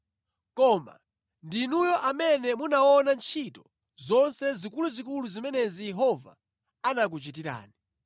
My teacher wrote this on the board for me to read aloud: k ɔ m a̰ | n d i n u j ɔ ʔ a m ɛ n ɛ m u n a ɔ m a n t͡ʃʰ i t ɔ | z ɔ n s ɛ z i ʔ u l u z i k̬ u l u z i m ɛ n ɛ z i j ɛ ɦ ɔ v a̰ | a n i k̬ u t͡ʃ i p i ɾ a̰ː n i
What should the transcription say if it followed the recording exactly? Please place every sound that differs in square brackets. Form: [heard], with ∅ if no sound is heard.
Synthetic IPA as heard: k ɔ m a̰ | n d i n u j ɔ ʔ a m ɛ n ɛ m u n a ɔ [n] a n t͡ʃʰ i t ɔ | z ɔ n s ɛ z i [k] u l u z i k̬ u l u z i m ɛ n ɛ z i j ɛ ɦ ɔ v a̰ | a n [a] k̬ u t͡ʃ i [t] i ɾ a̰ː n i